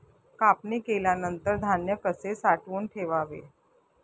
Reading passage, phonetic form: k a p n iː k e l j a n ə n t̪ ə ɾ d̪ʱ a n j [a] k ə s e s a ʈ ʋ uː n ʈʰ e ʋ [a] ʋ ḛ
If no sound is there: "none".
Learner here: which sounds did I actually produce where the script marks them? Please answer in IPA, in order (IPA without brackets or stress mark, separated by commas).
ə, a